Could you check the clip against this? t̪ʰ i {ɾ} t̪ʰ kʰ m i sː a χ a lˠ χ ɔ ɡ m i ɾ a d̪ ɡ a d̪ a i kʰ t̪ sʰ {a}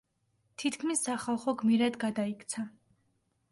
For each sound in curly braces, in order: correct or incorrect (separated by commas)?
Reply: incorrect, correct